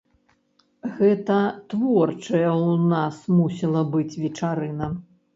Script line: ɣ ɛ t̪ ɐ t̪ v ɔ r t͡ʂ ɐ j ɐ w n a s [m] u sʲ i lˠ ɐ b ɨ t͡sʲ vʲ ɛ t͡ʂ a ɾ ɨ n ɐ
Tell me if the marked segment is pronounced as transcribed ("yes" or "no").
yes